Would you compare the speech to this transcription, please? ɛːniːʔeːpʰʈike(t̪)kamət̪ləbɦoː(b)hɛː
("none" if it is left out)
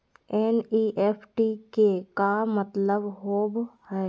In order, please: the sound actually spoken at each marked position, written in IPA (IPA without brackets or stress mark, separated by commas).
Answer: none, b